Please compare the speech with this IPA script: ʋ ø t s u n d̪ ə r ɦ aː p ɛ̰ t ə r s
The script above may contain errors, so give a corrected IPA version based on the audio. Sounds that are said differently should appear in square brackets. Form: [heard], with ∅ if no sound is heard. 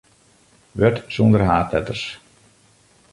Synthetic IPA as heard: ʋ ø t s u n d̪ ə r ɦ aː [t] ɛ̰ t ə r s

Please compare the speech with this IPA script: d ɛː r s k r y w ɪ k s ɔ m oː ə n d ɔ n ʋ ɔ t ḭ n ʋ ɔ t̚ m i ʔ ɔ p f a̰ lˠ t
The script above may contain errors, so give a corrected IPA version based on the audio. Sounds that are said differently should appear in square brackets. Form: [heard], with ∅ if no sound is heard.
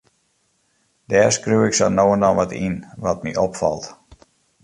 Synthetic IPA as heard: d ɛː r s k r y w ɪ k s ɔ [n] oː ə n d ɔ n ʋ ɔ t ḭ n ʋ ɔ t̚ m i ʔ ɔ p f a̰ lˠ t

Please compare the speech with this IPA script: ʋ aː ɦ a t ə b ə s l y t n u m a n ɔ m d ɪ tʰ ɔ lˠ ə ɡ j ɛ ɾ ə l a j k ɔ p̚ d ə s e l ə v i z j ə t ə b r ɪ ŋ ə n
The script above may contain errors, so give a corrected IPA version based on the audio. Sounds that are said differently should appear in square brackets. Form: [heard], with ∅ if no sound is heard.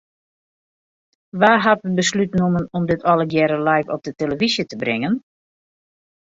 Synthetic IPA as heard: ʋ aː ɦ a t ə b ə s l y t n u m [ə] n ɔ m d ɪ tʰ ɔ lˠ ə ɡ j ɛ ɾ ə l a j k ɔ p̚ d ə [t] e l ə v i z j ə t ə b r ɪ ŋ ə n

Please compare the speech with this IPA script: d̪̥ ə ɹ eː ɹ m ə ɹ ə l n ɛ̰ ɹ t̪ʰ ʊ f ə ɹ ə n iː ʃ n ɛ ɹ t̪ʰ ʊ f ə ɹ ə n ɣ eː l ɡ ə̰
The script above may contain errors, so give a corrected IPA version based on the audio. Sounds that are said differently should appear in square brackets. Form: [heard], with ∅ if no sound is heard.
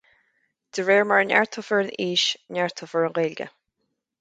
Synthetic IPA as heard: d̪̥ ə ɹ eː ɹ m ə ɹ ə [∅] n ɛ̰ ɹ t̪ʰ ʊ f ə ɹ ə n iː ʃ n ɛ ɹ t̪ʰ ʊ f ə ɹ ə n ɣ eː l ɡ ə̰

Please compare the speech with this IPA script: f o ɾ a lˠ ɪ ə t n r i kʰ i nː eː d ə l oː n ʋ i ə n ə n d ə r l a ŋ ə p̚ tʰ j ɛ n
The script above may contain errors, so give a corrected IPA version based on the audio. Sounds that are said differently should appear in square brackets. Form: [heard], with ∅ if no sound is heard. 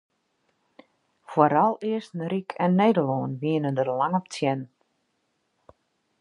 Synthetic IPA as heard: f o ɾ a lˠ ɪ ə [s] n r i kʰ [ɛ] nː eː d ə l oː n ʋ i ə n ə n d ə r l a ŋ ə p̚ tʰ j ɛ n

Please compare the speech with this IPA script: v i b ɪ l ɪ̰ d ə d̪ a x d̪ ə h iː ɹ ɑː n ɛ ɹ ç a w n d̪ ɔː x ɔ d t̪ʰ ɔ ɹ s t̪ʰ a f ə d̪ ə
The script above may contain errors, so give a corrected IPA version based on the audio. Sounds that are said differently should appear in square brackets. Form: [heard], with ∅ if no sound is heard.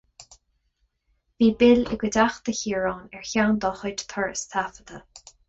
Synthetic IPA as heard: v [iː] b ɪ l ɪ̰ [ɡ] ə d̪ a x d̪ ə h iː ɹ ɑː n ɛ ɹ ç a w n d̪ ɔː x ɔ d t̪ʰ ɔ ɹ s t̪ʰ a f ə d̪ ə

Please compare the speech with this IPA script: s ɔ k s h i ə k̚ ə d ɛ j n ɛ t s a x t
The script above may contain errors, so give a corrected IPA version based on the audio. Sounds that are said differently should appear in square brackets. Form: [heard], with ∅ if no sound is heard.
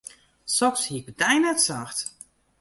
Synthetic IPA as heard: s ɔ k s h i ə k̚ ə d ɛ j n ɛ t s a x t

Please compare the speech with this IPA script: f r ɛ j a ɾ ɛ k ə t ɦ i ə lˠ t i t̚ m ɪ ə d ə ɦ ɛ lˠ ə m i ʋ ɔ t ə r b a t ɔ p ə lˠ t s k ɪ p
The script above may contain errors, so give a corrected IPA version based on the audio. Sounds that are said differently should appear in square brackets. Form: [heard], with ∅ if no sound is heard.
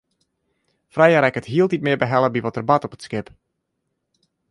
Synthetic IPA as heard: f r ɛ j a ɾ ɛ k ə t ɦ i ə lˠ t i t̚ m ɪ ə [b] ə ɦ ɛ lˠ ə [b] i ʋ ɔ t ə r b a t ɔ p ə [∅] t s k ɪ p

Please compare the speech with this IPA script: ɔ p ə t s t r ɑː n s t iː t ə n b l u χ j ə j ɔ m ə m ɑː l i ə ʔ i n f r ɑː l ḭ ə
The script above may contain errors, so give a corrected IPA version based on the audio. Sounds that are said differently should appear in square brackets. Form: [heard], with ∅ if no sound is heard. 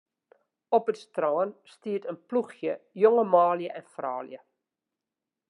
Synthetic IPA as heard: ɔ p ə t s t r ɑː n s t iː t ə n [p] l u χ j ə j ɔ [ŋ] ə m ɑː l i ə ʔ [ɛ] n f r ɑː l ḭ ə

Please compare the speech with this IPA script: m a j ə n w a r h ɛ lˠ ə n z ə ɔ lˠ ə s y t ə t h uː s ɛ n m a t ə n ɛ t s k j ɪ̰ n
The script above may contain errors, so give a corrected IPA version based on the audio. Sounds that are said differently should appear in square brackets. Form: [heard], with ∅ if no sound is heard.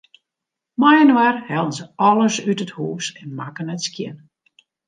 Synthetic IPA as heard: m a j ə n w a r h ɛ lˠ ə n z ə ɔ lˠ ə s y t ə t h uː s ɛ n m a [k] ə n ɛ t s k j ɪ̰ n

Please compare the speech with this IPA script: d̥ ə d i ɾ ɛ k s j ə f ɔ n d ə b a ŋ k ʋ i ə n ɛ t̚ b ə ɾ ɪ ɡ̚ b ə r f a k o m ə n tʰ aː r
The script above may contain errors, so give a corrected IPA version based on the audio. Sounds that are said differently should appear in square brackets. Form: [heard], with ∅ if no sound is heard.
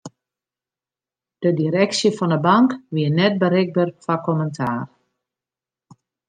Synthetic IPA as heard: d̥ ə d i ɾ ɛ k s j ə f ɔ n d ə b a ŋ k ʋ i ə n ɛ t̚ b ə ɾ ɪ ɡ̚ b ə r f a k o m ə n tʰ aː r

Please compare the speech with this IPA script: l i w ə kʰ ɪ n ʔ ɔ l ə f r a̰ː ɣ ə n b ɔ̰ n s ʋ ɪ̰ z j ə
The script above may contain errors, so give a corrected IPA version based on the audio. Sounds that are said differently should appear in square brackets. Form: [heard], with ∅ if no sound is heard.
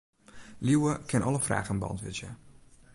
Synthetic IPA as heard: l i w ə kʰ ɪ n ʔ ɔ l ə f r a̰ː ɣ ə n b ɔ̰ n [t] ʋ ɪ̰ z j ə

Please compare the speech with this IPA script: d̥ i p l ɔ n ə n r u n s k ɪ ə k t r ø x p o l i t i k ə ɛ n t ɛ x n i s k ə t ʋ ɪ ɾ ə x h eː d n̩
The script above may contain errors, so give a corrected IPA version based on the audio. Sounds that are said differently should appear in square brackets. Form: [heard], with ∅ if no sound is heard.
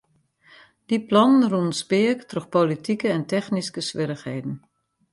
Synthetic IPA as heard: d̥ i p l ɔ n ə n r u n s [p] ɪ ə k t r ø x p o l i t i k ə ɛ n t ɛ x n i s k ə [s] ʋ ɪ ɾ ə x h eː d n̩

